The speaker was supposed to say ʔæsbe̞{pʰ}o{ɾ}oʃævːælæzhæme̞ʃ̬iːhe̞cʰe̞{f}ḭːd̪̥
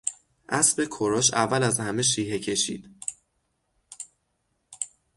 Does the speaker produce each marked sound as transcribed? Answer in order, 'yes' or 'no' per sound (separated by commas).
no, yes, no